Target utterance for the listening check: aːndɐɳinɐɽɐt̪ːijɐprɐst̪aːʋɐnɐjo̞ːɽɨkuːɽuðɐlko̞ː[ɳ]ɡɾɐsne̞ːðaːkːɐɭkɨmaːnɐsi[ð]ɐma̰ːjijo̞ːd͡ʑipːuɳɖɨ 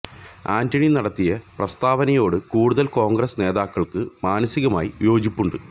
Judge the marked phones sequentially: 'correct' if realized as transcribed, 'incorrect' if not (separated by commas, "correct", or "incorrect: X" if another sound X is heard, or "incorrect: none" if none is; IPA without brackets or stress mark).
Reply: incorrect: ŋ, incorrect: ɣ